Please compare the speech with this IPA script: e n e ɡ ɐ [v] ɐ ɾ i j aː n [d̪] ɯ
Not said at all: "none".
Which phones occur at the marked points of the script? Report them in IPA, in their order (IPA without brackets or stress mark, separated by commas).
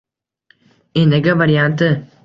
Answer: ʋ, t̪